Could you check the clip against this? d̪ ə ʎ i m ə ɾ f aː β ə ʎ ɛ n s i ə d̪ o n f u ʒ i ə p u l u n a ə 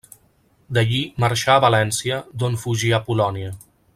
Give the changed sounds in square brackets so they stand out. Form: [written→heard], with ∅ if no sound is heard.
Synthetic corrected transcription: d̪ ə ʎ i m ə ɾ [f→ʃ] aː β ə [ʎ→l] ɛ n s i ə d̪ o n f u ʒ i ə p u l [u→ɔ] n [a→i] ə